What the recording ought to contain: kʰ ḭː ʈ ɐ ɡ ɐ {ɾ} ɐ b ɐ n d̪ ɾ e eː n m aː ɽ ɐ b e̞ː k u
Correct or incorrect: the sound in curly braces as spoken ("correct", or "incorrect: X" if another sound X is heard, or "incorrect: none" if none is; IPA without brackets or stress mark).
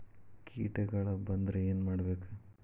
incorrect: ɭ